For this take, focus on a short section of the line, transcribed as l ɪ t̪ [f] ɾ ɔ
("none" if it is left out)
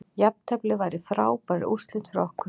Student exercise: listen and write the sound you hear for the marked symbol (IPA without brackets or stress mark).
f